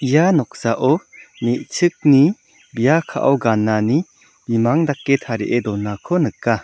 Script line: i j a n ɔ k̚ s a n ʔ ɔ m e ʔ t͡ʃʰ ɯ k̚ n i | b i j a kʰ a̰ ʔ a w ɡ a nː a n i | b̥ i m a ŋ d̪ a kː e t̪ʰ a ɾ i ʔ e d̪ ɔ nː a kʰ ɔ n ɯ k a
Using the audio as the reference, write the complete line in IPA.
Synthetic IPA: i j a n ɔ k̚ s a ʔ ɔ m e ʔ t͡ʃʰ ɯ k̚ n i | b i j a kʰ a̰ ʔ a w ɡ a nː a n i | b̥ i m a ŋ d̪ a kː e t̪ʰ a ɾ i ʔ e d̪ ɔ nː a kʰ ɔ n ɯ k a